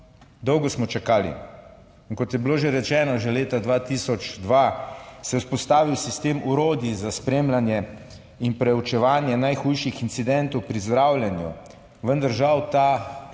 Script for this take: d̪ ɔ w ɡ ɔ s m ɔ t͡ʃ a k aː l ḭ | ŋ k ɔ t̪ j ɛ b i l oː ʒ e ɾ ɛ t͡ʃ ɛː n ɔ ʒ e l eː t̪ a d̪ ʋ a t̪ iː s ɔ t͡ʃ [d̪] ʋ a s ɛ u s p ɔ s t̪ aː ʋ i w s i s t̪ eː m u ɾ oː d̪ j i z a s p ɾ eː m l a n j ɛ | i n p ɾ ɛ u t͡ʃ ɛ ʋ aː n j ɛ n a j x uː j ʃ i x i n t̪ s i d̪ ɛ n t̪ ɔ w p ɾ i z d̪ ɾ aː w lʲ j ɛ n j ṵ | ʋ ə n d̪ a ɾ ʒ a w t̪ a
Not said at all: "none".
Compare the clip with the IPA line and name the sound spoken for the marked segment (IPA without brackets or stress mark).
d̪